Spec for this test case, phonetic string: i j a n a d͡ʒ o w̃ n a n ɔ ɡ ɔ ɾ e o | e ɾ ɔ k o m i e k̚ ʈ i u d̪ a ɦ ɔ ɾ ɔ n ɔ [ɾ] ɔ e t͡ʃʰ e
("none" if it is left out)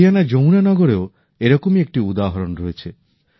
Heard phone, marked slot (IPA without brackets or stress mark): ɾ